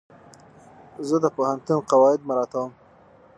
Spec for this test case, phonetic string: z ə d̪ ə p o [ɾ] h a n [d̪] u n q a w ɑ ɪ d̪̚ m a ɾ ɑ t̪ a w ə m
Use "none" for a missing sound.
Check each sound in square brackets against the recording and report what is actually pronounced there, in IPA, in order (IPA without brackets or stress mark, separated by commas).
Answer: none, t̪